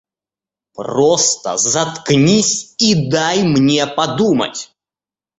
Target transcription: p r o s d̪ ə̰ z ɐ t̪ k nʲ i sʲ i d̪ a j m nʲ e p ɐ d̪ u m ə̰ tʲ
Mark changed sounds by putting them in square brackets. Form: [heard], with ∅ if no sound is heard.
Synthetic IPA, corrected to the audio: p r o s [t̪] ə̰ z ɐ t̪ k nʲ i sʲ i d̪ a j m nʲ e p ɐ d̪ u m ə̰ tʲ